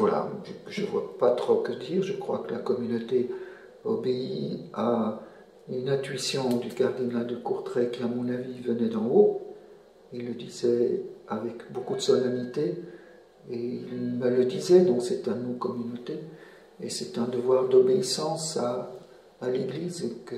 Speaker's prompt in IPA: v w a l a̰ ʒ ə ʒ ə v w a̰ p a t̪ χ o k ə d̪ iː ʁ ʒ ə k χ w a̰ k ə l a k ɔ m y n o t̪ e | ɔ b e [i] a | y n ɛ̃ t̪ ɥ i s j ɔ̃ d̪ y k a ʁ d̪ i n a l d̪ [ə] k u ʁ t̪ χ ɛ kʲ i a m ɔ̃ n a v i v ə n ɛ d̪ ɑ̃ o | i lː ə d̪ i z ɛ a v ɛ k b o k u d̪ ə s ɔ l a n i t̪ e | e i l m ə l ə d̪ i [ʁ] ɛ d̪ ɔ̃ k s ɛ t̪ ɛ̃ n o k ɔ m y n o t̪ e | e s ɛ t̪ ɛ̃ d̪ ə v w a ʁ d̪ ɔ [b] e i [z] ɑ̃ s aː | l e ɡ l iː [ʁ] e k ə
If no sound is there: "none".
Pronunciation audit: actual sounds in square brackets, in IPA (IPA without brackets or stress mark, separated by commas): i, ə, z, b, s, z